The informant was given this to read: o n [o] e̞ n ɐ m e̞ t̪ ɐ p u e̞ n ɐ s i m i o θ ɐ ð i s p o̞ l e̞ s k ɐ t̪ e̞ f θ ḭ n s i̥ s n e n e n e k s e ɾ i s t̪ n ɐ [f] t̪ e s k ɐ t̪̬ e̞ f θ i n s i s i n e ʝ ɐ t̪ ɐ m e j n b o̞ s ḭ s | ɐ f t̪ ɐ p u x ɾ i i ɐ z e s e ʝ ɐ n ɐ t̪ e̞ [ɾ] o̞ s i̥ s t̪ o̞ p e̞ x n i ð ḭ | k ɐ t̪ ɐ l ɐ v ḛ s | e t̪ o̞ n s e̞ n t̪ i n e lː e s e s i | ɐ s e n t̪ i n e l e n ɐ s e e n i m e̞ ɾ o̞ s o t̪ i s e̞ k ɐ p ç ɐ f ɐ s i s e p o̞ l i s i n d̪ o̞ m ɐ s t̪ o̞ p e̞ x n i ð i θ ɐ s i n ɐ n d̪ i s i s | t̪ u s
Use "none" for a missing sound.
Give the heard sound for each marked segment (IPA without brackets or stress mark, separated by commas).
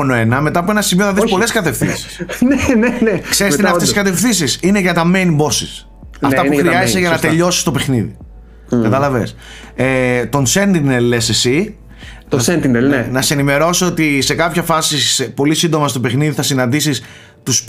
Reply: o, f, ʎ